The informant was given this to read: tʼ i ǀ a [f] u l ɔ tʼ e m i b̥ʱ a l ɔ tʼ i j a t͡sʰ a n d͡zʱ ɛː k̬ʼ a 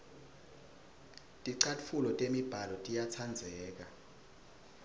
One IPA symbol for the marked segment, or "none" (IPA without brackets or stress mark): f